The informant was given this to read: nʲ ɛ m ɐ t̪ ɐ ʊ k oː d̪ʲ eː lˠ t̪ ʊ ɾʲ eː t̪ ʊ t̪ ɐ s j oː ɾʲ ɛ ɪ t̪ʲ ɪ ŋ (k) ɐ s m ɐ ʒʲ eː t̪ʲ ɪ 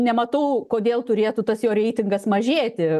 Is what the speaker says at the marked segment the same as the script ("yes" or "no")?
no